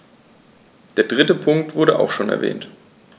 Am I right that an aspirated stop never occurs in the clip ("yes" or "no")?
no